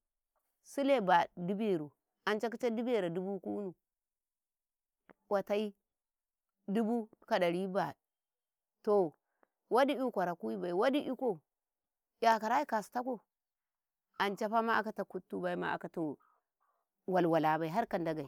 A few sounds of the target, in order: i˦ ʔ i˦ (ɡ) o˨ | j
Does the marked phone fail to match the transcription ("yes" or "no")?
yes